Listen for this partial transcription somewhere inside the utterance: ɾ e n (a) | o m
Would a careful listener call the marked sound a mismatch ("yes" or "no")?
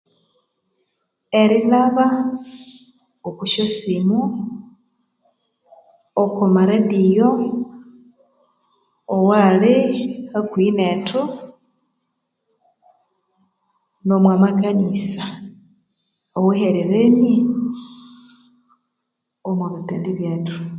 yes